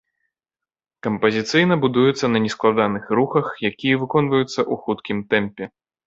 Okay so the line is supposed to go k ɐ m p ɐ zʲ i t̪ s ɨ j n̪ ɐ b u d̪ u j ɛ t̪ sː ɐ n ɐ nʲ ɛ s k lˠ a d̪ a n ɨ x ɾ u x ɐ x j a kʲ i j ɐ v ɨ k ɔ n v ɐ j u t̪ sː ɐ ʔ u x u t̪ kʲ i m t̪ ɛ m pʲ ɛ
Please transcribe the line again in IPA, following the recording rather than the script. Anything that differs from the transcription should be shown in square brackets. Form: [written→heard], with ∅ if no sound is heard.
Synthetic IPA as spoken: k ɐ m p ɐ zʲ i t̪ s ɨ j n̪ ɐ b u d̪ u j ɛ t̪ sː ɐ n ɐ nʲ ɛ s k lˠ a d̪ a n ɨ x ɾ u x ɐ x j a kʲ i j ɐ v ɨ k ɔ n v ɐ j u t̪ sː ɐ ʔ u x u t̪ kʲ i m t̪ ɛ m pʲ ɛ